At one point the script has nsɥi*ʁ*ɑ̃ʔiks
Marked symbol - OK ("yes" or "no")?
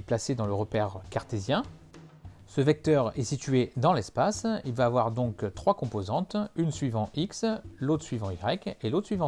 no